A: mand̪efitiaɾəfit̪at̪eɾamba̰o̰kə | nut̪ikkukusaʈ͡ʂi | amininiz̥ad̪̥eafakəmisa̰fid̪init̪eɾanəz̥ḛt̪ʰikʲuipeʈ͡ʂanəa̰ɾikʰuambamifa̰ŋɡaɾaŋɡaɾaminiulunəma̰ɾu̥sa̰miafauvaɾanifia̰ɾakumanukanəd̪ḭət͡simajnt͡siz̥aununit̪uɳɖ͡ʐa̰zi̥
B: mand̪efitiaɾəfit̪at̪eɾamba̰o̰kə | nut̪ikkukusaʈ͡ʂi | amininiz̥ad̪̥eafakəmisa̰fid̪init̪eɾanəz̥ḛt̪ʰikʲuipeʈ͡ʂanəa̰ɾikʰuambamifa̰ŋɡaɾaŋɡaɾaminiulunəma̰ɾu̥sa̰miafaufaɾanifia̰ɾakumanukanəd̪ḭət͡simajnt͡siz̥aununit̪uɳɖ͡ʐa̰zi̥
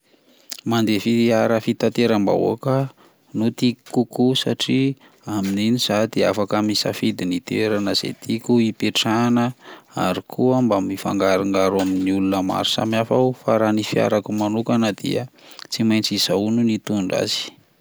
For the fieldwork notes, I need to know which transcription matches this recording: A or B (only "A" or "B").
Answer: B